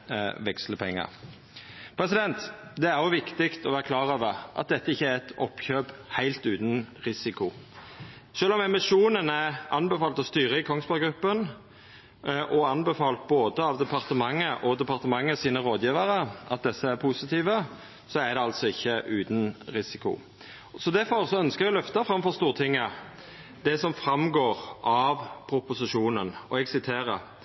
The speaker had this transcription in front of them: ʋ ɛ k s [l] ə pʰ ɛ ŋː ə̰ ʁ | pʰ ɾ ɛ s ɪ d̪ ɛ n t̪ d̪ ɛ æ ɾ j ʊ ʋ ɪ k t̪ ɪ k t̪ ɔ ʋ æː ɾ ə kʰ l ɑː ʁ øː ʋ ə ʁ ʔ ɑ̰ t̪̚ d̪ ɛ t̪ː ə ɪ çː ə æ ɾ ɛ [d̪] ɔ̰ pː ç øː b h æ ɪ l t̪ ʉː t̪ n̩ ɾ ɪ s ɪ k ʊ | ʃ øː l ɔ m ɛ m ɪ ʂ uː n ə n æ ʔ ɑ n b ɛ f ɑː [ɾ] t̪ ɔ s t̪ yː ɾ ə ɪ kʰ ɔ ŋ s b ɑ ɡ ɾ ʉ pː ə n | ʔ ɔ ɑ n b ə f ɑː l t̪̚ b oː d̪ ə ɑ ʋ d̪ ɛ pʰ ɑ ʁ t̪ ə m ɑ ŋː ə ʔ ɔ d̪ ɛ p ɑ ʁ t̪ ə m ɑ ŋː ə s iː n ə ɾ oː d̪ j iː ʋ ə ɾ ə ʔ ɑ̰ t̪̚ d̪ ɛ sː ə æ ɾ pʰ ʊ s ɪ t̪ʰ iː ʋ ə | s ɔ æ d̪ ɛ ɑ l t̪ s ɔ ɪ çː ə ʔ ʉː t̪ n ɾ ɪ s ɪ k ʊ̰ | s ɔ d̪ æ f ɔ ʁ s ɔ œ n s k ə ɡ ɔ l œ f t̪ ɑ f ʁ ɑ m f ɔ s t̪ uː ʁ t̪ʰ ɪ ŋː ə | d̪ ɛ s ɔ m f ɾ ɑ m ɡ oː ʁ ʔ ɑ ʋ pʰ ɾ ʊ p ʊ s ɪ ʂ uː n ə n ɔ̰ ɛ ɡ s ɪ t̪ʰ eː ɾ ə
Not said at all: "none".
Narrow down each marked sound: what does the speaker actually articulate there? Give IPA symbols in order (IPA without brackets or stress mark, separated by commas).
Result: l, t̪, l